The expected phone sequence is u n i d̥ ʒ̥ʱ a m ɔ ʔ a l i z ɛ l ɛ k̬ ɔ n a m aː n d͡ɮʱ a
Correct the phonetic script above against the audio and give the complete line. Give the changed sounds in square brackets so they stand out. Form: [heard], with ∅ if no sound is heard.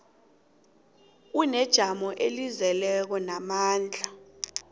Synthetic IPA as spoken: u n [ɛ] d̥ ʒ̥ʱ a m ɔ ʔ [e] l i z ɛ l ɛ k̬ ɔ n a m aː n d͡ɮʱ a